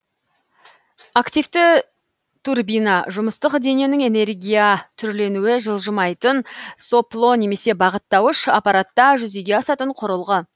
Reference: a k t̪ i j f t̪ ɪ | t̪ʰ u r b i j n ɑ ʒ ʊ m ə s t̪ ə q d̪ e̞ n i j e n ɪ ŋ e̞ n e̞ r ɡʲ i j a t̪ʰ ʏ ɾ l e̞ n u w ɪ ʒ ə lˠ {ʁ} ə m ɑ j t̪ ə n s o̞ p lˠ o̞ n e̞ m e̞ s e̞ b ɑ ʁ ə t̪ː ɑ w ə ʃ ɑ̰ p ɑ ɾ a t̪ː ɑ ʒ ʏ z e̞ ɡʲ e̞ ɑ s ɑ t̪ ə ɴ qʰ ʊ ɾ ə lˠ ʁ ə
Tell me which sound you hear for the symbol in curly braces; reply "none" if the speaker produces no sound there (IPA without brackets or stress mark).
ʒ